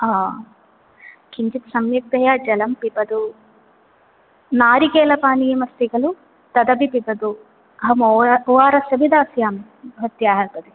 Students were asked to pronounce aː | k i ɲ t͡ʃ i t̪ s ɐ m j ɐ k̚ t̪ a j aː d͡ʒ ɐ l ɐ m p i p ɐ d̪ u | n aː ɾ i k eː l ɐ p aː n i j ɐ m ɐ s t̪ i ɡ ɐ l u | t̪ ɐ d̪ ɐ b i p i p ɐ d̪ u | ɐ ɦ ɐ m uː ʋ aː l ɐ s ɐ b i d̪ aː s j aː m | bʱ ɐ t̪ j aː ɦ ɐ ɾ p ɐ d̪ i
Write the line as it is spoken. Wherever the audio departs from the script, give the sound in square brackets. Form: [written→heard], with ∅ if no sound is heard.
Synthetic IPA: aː | k i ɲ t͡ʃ i t̪ s ɐ m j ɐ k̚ t̪ [a→ɐ] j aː d͡ʒ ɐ l ɐ m p i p ɐ d̪ u | n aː ɾ i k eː l ɐ p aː n i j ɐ m ɐ s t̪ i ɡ ɐ l u | t̪ ɐ d̪ ɐ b i p i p ɐ d̪ u | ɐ ɦ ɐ m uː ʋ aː [l→ɾ] ɐ s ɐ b i d̪ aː s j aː m | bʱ ɐ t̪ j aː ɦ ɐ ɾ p ɐ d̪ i